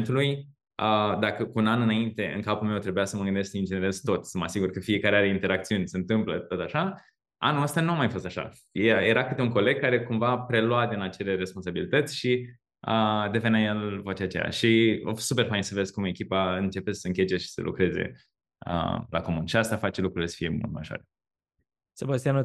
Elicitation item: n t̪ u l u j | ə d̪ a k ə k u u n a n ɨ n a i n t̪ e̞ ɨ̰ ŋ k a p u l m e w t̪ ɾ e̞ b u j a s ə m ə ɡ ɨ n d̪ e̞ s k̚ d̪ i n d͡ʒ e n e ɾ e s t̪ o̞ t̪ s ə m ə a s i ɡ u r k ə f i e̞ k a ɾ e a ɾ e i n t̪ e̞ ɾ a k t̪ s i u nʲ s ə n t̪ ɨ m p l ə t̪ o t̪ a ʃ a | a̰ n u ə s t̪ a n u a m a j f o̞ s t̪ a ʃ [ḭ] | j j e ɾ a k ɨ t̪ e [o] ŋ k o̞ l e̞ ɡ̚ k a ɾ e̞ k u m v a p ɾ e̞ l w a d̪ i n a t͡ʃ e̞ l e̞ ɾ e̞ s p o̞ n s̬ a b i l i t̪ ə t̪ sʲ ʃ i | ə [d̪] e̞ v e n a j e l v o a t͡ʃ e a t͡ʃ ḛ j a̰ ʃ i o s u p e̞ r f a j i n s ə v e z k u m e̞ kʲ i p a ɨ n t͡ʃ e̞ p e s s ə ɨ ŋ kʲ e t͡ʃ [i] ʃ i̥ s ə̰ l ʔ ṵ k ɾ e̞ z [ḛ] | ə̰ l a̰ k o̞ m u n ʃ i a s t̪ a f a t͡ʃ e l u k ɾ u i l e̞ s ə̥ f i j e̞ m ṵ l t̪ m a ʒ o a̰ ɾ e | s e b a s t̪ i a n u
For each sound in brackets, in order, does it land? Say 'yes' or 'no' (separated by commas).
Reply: no, no, yes, no, yes